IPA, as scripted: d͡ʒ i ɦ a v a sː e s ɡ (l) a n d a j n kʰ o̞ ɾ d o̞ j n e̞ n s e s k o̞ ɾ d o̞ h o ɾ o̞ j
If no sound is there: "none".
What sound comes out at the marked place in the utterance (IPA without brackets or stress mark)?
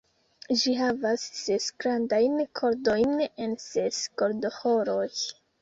ɾ